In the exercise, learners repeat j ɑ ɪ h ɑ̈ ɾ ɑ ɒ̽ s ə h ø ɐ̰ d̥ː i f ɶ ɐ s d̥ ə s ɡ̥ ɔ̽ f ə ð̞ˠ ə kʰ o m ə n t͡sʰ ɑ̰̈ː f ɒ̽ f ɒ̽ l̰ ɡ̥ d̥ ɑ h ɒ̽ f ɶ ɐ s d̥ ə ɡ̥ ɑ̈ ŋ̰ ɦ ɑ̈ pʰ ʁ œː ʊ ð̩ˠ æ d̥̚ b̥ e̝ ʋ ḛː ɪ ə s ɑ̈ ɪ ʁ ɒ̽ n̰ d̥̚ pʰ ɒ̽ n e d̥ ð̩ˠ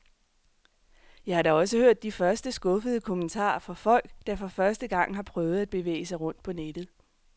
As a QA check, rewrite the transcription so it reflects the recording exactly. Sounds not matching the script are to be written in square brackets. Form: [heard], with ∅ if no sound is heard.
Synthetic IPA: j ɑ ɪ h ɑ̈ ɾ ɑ ɒ̽ s ə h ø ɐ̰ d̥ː i f ɶ ɐ s d̥ ə s ɡ̥ ɔ̽ f ə ð̞ˠ ə kʰ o m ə n t͡sʰ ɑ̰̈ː f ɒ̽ f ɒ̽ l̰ ɡ̥ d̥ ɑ [f] ɒ̽ f ɶ ɐ s d̥ ə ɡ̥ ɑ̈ ŋ̰ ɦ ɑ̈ pʰ ʁ œː ʊ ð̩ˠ æ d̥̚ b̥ e̝ ʋ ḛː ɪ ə s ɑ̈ ɪ ʁ [ɔ̽] n̰ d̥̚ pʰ ɒ̽ n e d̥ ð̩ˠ